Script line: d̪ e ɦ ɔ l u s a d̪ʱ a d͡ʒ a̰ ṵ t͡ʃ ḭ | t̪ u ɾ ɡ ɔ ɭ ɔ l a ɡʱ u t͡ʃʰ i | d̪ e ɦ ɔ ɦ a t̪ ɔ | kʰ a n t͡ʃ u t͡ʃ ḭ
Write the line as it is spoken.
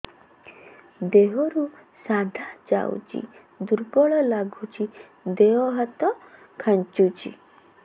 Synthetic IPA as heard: d̪ e ɦ ɔ ɾ u s a d̪ʱ a d͡ʒ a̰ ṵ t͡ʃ ḭ | d̪ u ɾ ɡ ɔ ɭ ɔ l a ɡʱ u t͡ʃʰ i | d̪ e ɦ ɔ ɦ a t̪ ɔ | kʰ a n t͡ʃ u t͡ʃ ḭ